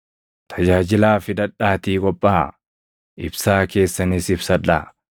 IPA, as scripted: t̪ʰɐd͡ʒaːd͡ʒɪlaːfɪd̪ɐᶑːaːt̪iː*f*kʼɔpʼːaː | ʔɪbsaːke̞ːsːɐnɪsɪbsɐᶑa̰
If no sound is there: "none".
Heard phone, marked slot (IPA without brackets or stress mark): none